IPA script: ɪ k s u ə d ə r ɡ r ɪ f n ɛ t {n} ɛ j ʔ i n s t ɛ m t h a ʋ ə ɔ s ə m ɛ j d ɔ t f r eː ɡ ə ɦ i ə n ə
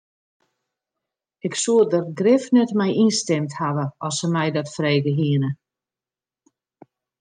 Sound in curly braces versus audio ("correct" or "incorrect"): incorrect